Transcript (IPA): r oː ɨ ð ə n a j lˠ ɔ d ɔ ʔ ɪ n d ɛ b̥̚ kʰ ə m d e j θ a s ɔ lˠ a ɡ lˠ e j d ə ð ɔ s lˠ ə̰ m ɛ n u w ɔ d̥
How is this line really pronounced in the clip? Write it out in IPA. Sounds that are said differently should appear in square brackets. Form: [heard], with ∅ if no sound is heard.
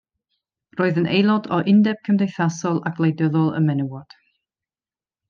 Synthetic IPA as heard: r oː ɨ ð ə n [e] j lˠ ɔ d ɔ ʔ ɪ n d ɛ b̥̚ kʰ ə m d e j θ a s ɔ lˠ a ɡ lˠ e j d ə ð ɔ [∅] lˠ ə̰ m ɛ n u w ɔ d̥